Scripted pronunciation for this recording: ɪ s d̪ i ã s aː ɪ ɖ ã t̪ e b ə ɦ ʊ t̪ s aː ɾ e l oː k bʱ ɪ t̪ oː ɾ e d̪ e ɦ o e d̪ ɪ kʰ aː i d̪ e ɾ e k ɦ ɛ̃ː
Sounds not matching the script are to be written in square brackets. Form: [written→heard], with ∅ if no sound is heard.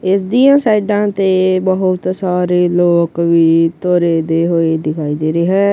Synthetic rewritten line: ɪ s d̪ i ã s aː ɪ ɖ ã t̪ e b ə ɦ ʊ t̪ s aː ɾ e l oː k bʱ [ɪ→i] t̪ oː ɾ e d̪ e ɦ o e d̪ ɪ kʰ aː i d̪ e ɾ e [k→∅] ɦ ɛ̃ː